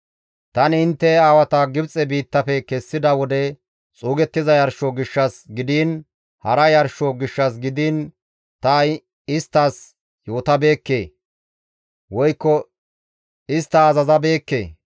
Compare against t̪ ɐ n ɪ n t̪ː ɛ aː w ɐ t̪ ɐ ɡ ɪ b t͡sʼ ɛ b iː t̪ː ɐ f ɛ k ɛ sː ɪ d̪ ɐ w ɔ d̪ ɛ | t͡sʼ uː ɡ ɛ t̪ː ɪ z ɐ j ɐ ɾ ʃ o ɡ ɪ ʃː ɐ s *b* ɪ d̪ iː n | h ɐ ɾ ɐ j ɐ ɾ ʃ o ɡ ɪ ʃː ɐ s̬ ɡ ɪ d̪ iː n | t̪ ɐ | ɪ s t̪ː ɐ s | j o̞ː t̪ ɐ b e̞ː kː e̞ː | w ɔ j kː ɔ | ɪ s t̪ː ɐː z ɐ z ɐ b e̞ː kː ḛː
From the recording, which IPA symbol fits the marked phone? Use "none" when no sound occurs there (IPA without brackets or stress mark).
ɡ